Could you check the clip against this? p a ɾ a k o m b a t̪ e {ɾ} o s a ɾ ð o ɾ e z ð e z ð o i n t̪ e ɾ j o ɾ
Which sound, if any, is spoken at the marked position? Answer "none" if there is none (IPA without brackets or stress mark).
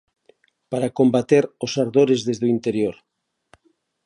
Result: ɾ